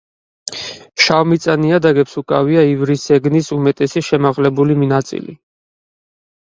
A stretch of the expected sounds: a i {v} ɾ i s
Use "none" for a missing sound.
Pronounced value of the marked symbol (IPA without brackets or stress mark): v